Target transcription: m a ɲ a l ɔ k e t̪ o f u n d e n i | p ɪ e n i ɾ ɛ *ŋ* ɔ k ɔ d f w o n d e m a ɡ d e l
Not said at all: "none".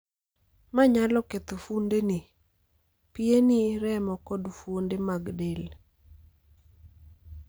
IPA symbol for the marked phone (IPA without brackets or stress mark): m